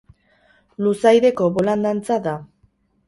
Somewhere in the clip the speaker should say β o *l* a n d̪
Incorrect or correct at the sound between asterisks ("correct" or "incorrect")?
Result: correct